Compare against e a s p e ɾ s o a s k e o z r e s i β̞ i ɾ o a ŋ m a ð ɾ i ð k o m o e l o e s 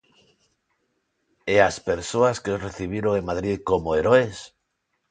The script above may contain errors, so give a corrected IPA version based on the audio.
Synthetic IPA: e a s p e ɾ s o a s k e o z r e θ i β̞ i ɾ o e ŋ m a ð ɾ i ð k o m o e ɾ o e s